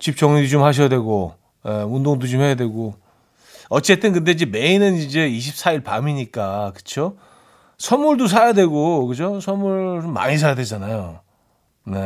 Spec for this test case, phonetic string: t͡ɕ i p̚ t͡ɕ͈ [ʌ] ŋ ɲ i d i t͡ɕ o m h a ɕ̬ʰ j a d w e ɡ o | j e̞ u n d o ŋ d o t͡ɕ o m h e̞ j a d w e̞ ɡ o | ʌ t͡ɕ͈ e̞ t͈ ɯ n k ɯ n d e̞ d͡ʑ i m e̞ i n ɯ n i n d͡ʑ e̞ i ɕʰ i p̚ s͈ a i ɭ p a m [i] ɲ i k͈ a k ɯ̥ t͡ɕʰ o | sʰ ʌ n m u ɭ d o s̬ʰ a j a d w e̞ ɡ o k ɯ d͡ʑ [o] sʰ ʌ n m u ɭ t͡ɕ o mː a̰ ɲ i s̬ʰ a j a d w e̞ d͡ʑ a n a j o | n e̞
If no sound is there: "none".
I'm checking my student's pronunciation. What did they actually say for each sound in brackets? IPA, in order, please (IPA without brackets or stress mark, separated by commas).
ʌ, i, o